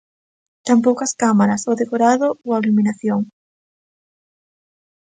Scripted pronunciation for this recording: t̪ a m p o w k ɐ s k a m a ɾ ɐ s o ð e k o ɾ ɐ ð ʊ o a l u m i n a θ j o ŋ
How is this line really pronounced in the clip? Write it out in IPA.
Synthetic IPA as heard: t̪ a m p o w k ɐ s k a m a ɾ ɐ s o ð e k o ɾ a ð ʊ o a l u m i n a θ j o ŋ